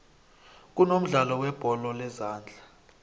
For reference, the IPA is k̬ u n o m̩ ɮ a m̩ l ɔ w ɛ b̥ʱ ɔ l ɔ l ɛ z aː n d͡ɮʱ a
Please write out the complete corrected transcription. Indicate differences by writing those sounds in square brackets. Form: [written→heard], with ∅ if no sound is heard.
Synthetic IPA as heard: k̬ u n o m̩ ɮ a [m̩→∅] l ɔ w ɛ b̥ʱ ɔ l ɔ l ɛ z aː n d͡ɮʱ a

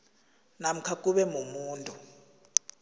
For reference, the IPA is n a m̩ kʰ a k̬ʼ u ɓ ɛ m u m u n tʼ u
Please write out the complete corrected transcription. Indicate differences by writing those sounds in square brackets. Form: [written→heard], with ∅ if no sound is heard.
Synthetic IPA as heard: n a m̩ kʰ a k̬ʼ u ɓ ɛ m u m [u→uː] n tʼ u

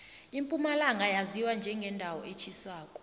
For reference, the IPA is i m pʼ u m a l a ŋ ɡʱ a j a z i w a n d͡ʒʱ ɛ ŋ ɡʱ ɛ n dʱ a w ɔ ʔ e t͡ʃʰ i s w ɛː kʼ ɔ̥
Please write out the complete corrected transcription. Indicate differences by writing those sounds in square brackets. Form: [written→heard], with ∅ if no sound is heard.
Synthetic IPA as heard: i m pʼ u m a l a ŋ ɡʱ a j a z i w a n d͡ʒʱ ɛ ŋ ɡʱ ɛ n dʱ a w ɔ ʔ e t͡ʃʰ i s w [ɛː→aː] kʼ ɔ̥

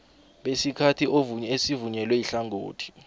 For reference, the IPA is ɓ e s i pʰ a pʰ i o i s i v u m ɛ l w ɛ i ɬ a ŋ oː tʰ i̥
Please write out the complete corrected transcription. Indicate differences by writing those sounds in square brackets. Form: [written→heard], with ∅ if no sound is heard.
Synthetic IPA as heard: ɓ e s i [pʰ→kʰ] a [pʰ→tʰ] i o [i→e] s i v u [m→ɲ] ɛ l w ɛ i ɬ a ŋ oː tʰ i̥

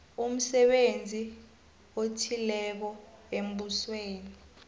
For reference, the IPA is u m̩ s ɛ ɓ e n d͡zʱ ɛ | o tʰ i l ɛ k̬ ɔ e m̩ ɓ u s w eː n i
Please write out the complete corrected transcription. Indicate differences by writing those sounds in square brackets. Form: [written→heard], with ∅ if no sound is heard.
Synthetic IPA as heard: u m̩ s ɛ ɓ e n d͡zʱ [ɛ→i] | o tʰ i l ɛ k̬ ɔ e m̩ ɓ u s w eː n i

